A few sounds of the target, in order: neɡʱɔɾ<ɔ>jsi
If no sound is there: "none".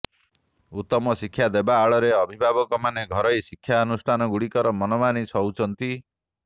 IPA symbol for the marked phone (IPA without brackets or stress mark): ɔ